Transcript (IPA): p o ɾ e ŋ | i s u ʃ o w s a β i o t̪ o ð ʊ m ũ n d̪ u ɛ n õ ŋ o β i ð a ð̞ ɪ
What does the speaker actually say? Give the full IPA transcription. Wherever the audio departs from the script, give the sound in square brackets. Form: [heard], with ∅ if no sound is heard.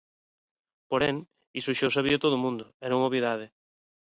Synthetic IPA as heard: p o ɾ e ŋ | i s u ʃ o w s a β i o t̪ o ð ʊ m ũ n d̪ [ʊ] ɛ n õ ŋ o β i ð a ð̞ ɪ